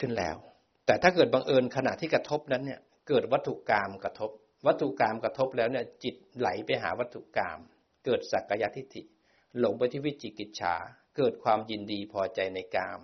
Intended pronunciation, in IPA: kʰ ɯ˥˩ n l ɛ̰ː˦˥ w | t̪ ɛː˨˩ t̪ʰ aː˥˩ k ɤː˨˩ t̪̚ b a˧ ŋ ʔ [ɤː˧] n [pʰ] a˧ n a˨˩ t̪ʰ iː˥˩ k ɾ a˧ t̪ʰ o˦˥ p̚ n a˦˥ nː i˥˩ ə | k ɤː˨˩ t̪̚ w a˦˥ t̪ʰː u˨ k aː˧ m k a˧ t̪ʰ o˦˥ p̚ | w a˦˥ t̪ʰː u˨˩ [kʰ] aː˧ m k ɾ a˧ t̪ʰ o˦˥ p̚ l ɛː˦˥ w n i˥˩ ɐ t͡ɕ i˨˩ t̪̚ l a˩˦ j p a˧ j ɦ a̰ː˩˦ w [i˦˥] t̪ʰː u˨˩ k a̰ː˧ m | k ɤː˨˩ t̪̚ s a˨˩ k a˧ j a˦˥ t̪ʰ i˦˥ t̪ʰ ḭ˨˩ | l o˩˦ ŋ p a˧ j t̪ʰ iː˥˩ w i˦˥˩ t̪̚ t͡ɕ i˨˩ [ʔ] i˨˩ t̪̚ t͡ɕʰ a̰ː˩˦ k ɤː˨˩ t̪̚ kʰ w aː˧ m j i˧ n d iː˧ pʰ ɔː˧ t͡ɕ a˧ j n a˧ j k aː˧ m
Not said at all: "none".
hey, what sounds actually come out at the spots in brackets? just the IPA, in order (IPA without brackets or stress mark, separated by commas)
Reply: ɤː˧, kʰ, k, a˦˥, k